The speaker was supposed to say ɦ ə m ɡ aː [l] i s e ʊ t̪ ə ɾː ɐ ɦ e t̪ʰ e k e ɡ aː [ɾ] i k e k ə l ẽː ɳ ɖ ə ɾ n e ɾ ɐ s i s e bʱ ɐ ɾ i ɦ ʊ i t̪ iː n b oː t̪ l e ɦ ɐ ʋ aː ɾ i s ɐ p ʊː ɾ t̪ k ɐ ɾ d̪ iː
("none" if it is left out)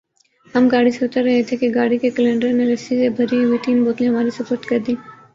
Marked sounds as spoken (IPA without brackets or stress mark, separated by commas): ɽ, ɽ